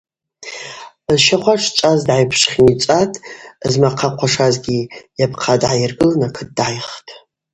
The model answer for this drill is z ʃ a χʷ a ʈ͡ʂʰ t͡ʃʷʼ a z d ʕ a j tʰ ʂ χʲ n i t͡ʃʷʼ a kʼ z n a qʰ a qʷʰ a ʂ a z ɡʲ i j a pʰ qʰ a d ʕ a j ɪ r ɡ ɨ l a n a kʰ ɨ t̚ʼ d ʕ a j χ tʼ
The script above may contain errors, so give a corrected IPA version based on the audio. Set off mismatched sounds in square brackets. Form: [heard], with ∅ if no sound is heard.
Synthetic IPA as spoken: z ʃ a χʷ a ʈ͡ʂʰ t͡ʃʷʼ a z d ʕ a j [pʰ] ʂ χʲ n i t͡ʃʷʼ a [tʼ] z [m] a qʰ a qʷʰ a ʂ a z ɡʲ i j a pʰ qʰ a d ʕ a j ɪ r ɡ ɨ l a n a kʰ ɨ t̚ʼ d ʕ a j χ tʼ